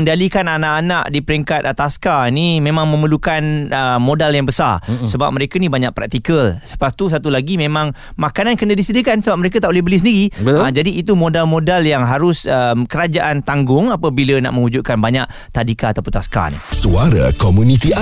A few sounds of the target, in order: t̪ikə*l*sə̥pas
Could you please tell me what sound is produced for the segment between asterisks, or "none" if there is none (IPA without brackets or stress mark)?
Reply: l